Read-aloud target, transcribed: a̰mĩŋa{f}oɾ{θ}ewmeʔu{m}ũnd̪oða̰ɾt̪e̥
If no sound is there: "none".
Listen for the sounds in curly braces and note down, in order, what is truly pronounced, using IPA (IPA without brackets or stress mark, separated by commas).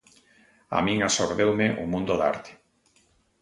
s, ð, m